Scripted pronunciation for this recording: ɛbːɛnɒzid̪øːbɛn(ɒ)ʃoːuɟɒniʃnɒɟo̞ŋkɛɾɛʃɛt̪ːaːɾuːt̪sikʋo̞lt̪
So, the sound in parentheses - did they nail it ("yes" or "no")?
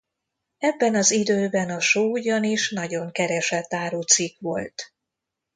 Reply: yes